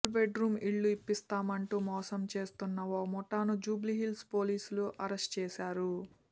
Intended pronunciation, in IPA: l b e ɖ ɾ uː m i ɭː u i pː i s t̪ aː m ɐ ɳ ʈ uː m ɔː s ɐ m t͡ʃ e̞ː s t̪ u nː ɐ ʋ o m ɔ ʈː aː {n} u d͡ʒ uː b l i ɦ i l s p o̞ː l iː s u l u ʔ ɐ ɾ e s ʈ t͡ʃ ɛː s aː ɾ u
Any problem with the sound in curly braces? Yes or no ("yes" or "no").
no